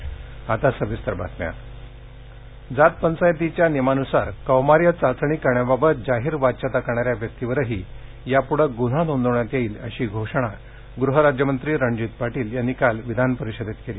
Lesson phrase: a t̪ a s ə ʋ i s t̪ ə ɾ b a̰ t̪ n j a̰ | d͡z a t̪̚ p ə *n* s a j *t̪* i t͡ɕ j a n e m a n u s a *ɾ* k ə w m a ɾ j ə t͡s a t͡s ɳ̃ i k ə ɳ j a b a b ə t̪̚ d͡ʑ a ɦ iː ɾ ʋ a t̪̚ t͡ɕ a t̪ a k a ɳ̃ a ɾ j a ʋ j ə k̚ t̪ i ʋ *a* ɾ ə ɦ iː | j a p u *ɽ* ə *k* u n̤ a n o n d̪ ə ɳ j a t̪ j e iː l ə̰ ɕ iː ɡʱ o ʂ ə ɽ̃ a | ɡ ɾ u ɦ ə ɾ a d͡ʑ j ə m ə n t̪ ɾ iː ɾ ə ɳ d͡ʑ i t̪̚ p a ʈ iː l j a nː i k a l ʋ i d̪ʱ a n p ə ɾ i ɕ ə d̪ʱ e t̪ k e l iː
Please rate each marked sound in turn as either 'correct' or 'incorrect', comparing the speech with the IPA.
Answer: correct, correct, correct, incorrect, correct, incorrect

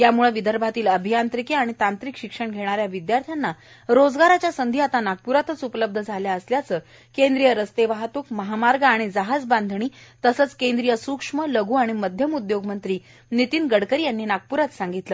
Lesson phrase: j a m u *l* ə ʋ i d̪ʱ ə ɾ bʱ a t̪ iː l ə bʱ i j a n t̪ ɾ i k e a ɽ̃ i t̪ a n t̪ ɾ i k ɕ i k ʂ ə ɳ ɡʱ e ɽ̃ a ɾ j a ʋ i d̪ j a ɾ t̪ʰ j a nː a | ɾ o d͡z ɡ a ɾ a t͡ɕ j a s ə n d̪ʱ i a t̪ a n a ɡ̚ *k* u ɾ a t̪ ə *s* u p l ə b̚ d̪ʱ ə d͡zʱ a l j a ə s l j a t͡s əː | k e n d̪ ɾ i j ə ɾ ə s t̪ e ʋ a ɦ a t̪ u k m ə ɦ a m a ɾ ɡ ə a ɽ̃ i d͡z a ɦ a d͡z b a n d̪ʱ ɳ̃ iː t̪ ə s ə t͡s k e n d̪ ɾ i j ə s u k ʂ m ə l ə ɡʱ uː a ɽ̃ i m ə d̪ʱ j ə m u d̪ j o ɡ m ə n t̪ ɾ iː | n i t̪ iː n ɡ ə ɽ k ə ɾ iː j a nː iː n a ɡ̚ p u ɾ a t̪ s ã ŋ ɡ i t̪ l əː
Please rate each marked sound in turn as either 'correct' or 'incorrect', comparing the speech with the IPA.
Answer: incorrect, incorrect, incorrect

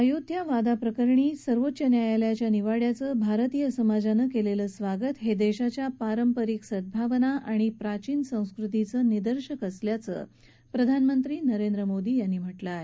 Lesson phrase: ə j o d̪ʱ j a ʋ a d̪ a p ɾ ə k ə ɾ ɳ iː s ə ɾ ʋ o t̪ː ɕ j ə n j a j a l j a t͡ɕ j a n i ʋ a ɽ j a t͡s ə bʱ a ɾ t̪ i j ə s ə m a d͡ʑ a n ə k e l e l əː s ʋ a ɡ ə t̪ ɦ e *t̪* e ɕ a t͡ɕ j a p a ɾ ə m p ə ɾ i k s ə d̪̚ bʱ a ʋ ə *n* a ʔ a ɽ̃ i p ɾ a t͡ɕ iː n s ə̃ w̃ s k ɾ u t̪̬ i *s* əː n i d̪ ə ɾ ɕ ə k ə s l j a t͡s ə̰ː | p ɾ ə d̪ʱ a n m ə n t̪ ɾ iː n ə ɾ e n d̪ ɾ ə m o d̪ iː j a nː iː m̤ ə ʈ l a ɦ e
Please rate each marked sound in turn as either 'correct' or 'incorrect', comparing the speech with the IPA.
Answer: incorrect, correct, incorrect

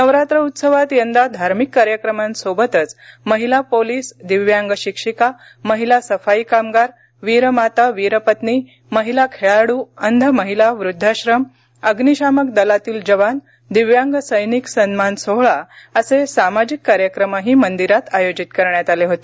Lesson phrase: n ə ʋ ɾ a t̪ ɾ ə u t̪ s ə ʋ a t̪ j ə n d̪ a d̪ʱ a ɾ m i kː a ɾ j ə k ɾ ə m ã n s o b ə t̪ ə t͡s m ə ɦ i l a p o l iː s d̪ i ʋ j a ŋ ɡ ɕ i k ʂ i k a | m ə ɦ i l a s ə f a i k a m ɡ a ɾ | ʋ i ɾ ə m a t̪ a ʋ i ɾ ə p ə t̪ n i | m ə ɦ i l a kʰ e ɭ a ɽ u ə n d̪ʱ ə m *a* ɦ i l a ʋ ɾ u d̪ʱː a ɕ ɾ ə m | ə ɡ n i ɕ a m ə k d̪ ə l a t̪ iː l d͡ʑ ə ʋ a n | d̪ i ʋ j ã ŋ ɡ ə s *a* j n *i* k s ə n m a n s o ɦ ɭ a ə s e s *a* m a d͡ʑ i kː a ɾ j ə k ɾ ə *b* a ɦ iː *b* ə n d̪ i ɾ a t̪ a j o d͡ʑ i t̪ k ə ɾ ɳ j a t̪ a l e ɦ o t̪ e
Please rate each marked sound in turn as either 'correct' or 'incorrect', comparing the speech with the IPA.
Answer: incorrect, incorrect, correct, correct, incorrect, incorrect

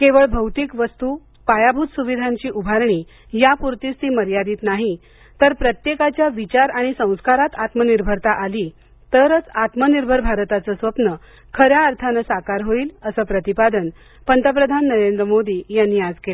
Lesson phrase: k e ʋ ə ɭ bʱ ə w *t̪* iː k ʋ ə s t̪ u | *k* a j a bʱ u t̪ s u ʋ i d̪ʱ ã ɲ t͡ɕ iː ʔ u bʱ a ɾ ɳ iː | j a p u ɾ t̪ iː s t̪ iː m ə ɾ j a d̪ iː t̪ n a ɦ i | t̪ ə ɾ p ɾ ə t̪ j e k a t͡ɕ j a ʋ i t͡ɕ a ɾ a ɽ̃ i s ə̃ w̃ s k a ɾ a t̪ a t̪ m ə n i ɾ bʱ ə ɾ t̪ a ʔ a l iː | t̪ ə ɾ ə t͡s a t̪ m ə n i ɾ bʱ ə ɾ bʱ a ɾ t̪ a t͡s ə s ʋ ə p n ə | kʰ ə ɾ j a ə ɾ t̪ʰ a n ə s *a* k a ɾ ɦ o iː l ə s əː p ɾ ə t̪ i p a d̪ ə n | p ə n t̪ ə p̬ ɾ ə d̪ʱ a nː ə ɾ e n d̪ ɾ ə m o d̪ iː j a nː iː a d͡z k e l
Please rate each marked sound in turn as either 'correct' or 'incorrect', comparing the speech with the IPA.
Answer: correct, incorrect, correct

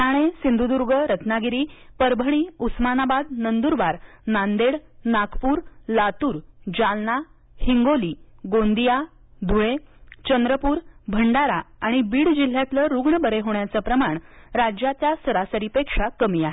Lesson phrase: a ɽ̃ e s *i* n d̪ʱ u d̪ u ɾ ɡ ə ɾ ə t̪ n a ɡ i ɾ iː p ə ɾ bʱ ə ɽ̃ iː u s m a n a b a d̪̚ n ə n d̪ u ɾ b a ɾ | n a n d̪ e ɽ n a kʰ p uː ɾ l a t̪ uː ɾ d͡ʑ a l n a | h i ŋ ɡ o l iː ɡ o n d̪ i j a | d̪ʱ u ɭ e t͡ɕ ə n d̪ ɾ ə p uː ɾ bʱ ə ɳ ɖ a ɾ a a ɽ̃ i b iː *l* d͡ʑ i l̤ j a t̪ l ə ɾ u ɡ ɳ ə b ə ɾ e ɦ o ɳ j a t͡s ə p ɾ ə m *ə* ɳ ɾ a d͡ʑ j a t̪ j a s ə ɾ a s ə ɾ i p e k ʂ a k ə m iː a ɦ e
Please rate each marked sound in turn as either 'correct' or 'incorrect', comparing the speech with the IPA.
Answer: correct, incorrect, incorrect

